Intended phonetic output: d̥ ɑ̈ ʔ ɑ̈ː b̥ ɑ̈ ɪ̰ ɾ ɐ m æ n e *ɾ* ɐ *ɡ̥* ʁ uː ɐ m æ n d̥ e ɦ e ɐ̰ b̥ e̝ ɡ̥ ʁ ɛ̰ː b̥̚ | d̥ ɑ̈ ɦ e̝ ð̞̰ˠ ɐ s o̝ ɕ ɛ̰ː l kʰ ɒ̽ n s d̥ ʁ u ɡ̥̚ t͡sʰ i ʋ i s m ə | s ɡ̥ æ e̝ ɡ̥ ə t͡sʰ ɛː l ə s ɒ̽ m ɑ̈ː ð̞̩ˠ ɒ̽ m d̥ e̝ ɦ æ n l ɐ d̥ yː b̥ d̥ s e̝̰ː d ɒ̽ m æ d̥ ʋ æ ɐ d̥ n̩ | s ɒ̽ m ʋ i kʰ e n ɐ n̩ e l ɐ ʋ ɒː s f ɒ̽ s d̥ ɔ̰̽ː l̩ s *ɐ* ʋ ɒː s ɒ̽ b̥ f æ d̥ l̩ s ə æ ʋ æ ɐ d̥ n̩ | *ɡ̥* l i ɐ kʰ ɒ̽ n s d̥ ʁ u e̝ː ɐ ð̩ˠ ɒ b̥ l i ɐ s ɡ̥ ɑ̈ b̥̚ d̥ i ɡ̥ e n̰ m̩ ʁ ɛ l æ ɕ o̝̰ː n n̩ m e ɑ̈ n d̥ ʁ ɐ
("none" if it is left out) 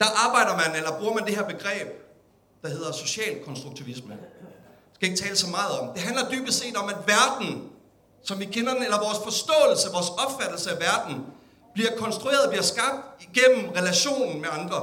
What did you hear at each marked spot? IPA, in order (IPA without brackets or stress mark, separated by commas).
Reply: l, b̥, ə, b̥